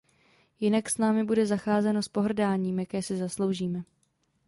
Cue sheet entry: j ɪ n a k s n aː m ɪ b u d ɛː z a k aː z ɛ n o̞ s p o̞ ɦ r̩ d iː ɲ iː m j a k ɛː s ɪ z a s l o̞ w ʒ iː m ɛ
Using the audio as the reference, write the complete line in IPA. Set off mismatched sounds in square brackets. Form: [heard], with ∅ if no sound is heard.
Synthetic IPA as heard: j ɪ n a k s n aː m ɪ b u d [ɛ] z a [x] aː z ɛ n o̞ s p o̞ ɦ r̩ d [aː] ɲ iː m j a k ɛː s ɪ z a s l o̞ w ʒ iː m ɛ